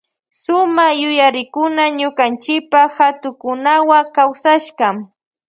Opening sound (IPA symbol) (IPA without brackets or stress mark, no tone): s